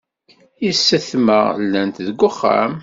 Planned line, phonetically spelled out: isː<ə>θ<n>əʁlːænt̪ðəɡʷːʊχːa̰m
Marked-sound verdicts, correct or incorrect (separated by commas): correct, incorrect